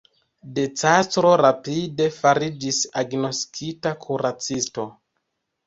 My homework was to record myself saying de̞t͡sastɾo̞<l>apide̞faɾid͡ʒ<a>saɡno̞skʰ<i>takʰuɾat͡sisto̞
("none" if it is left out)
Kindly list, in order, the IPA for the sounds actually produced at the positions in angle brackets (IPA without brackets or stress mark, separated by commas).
ɾ, i, i